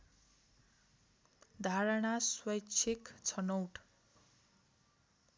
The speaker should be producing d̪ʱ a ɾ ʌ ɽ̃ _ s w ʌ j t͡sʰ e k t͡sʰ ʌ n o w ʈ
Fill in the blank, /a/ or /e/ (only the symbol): a